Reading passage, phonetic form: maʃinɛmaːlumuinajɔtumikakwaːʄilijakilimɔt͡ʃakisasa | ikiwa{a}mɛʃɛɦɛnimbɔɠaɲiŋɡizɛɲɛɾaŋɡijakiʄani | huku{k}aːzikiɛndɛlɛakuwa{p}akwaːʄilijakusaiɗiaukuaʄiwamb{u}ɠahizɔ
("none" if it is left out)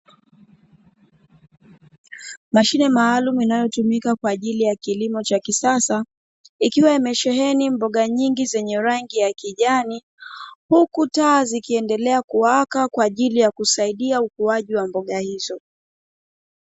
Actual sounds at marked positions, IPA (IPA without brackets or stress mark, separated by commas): i, t, k, ɔ